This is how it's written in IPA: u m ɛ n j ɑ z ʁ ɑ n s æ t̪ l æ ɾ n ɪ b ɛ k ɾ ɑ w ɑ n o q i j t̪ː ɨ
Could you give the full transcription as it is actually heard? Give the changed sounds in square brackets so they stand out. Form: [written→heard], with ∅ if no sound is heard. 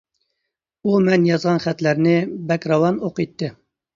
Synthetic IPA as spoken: u m ɛ n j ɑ z ʁ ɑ n [s→χ] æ t̪ l æ ɾ n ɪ b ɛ k ɾ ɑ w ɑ n o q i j t̪ː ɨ